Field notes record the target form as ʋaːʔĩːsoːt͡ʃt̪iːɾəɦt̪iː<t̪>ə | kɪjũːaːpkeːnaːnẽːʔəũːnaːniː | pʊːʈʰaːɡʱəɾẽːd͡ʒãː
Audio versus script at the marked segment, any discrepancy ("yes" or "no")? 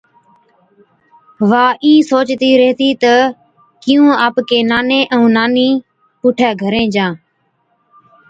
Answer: no